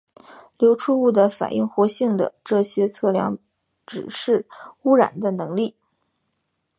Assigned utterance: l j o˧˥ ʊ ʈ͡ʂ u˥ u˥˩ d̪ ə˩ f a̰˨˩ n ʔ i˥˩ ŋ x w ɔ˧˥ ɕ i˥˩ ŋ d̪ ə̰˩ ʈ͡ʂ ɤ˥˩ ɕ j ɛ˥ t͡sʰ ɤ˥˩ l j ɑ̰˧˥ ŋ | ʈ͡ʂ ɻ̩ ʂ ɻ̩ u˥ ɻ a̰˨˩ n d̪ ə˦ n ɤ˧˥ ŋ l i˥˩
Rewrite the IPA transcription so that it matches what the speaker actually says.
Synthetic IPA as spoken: l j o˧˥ ʊ ʈ͡ʂʰ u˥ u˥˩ d̪ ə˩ f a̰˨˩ n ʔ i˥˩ ŋ x w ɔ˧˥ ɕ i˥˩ ŋ d̪ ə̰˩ ʈ͡ʂ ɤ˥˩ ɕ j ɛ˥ t͡sʰ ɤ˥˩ l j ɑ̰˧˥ ŋ | ʈ͡ʂ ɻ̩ ʂ ɻ̩ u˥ ɻ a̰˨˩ n d̪ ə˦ n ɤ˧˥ ŋ l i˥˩